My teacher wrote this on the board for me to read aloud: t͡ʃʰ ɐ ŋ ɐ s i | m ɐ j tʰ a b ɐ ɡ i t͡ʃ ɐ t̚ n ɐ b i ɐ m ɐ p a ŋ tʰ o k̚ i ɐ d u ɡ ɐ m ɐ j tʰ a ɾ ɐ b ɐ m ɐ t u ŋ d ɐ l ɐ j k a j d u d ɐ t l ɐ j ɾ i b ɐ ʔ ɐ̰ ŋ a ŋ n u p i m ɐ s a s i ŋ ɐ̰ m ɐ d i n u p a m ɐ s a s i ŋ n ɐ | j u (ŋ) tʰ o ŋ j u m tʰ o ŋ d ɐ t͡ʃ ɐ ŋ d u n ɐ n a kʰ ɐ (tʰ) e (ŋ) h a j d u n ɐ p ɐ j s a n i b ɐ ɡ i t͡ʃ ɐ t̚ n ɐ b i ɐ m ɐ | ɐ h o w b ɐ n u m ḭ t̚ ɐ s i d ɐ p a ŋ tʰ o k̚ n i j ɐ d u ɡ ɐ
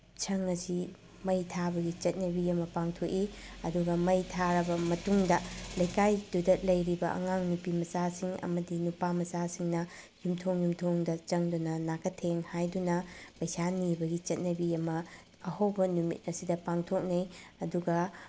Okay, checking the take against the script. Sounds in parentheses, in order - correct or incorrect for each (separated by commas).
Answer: incorrect, correct, correct